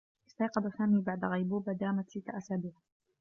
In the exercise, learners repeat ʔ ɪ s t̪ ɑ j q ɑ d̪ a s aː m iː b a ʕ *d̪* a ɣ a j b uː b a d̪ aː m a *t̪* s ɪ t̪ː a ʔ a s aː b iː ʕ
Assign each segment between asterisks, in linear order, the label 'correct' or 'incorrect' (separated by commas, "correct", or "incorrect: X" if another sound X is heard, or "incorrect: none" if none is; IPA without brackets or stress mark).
correct, correct